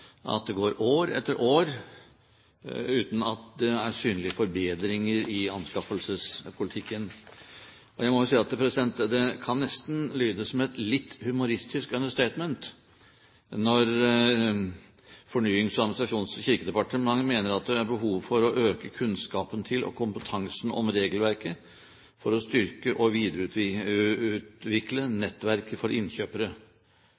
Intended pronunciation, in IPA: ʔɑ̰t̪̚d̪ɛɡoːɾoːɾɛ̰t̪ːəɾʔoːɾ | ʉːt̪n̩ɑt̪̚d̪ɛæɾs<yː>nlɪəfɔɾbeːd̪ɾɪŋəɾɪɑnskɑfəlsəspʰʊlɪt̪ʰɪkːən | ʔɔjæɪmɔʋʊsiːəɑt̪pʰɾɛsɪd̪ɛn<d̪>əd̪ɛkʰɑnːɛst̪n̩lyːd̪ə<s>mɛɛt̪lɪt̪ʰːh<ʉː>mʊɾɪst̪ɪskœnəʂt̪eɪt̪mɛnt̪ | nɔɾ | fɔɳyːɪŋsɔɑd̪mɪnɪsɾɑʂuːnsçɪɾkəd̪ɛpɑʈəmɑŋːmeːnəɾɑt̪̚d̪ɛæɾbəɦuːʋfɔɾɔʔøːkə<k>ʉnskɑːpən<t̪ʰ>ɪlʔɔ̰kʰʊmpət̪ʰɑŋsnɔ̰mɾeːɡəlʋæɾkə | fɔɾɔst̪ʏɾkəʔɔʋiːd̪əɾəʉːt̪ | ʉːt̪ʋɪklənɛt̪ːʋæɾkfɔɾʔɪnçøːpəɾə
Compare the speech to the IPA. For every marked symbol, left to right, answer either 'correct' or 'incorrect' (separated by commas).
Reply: correct, incorrect, correct, incorrect, incorrect, correct